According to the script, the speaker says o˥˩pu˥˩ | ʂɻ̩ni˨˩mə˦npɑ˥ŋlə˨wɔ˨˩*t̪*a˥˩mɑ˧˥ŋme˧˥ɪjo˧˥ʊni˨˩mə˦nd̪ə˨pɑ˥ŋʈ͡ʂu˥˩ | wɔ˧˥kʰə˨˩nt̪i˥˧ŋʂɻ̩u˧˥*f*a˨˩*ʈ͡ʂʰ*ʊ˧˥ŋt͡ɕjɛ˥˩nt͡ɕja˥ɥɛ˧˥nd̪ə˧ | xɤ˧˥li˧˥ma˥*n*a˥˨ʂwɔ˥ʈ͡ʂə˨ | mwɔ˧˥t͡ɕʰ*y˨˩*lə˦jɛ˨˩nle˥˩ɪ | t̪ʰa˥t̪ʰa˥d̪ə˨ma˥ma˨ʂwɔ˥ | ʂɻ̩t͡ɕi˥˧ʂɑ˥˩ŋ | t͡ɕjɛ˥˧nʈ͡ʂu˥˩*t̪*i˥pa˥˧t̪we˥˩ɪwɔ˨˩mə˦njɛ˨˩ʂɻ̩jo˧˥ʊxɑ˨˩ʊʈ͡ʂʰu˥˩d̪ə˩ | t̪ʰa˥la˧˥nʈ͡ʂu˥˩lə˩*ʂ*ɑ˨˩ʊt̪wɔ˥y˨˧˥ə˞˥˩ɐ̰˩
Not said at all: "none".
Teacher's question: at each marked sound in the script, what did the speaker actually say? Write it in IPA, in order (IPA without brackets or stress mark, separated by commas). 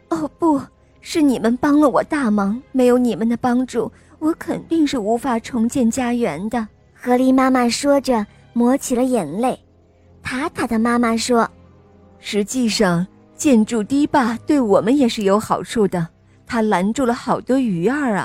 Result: t̪, f, ʈ͡ʂʰ, m, i˨˩, t̪, x